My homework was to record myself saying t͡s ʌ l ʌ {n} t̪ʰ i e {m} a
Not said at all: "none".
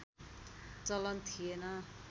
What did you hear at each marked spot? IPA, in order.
n, n

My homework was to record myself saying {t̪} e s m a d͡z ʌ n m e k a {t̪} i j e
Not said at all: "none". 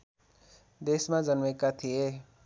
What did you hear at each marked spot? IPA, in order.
d̪, t̪ʰ

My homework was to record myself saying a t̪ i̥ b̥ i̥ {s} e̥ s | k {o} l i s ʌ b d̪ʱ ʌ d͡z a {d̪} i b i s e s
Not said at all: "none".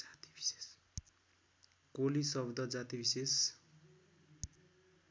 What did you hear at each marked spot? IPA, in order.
s, o, t̪

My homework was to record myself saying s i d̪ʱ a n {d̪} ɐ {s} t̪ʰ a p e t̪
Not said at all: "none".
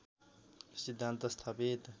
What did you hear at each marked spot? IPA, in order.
t̪, s

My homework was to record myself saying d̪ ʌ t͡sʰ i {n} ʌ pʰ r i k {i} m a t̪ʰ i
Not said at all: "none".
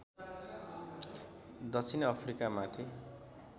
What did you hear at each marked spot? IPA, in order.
n, a

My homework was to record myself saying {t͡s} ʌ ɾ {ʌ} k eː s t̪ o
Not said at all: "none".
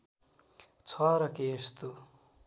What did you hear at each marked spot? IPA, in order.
t͡sʰ, ʌ

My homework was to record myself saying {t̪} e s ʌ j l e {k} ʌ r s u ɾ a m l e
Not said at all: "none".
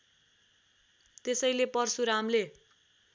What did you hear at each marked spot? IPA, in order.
t̪, p

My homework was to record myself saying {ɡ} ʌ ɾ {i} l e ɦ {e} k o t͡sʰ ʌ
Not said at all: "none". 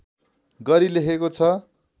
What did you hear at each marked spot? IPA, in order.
ɡ, i, e

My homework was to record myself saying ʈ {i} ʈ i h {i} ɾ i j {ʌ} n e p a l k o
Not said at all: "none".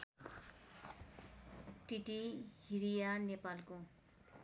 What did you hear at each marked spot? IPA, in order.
i, i, a

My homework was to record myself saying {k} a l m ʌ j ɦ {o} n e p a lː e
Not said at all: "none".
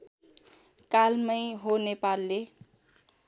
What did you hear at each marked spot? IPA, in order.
k, o

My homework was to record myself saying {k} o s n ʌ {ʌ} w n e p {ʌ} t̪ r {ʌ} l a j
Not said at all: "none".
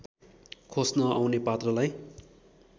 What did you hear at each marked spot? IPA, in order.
kʰ, a, a, ʌ

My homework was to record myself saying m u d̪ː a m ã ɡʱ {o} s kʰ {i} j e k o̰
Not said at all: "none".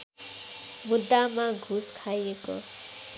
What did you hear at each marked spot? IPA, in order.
u, a

